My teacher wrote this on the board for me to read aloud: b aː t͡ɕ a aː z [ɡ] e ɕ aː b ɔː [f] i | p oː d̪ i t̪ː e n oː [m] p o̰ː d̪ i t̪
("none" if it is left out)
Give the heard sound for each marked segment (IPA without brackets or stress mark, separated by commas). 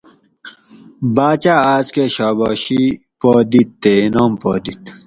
k, ɕ, m